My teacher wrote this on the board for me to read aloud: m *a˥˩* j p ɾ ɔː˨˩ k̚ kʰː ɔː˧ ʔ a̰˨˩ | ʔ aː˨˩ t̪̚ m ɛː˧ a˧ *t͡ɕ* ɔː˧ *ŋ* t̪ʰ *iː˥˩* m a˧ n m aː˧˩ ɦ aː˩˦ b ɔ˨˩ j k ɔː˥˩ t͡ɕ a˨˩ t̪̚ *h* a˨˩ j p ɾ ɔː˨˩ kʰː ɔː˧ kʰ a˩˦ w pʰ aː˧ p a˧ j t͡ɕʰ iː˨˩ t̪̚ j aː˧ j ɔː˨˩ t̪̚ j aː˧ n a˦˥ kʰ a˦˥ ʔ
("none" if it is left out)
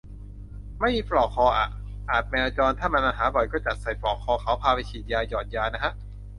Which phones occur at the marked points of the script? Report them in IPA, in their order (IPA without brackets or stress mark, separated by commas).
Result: a˥˩, t͡ɕ, n, aː˥˩, s